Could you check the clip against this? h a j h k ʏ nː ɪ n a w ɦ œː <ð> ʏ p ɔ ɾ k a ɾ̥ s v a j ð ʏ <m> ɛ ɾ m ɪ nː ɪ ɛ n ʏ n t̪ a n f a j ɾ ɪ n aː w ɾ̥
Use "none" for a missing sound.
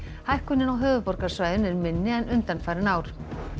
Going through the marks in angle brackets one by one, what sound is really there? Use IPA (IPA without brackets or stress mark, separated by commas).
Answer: v, n